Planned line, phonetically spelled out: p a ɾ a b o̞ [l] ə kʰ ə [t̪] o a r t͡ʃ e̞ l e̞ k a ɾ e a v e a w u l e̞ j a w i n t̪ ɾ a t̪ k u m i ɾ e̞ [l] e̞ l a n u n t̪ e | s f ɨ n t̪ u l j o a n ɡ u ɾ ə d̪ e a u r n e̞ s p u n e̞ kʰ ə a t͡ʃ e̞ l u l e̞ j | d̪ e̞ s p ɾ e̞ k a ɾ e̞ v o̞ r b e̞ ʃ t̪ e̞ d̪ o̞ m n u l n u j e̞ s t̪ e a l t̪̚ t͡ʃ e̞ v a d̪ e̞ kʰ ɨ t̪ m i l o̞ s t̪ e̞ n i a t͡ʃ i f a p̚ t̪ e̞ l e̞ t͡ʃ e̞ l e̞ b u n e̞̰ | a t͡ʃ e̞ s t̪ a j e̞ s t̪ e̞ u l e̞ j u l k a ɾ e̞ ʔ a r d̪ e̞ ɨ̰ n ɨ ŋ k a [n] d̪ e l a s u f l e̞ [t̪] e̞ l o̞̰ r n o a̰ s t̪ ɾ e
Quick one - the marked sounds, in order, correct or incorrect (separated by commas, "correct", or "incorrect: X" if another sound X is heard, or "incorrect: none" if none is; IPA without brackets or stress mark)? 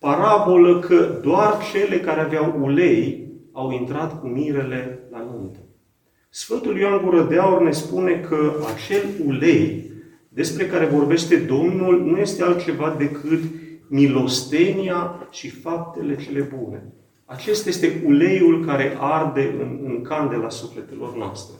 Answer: correct, incorrect: d̪, correct, correct, correct